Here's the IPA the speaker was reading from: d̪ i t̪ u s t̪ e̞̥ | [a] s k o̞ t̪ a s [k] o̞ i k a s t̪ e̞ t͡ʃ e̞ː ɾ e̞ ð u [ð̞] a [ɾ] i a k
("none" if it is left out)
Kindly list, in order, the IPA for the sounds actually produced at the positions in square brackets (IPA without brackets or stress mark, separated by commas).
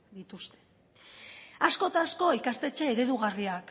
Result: a, k, ɣ̞, r